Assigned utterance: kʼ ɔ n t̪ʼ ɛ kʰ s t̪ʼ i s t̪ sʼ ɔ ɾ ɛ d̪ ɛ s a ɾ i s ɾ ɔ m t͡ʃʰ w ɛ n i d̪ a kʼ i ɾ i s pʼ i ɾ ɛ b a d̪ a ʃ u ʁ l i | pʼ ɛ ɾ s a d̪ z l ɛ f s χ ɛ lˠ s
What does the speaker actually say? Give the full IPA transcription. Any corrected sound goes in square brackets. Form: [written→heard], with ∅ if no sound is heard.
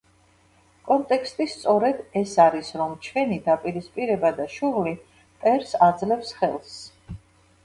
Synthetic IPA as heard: kʼ ɔ n t̪ʼ ɛ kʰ s t̪ʼ i s t̪ sʼ ɔ ɾ ɛ d̪ ɛ s a ɾ i s ɾ ɔ m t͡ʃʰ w ɛ n i d̪ a [kʼ→pʼ] i ɾ i s pʼ i ɾ ɛ b a d̪ a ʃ u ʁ l i | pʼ ɛ ɾ s a d̪ z l ɛ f s χ ɛ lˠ s